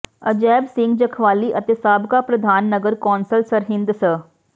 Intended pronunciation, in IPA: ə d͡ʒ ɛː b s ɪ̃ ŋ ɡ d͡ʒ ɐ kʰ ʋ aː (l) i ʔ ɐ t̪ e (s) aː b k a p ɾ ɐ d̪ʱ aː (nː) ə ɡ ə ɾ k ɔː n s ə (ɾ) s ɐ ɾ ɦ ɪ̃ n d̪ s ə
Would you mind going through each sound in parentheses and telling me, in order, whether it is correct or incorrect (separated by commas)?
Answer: correct, correct, correct, incorrect